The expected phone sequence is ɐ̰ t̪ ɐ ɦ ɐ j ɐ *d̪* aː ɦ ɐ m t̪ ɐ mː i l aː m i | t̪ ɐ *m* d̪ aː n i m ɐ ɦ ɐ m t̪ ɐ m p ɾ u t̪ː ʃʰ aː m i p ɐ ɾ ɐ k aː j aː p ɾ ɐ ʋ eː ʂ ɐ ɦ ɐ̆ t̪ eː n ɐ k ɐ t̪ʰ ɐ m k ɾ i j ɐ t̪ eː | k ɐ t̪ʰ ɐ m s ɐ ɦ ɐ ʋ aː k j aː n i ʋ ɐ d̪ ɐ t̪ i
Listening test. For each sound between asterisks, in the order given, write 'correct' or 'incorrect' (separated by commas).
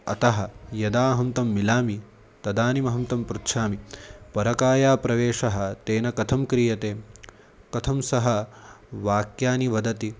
correct, incorrect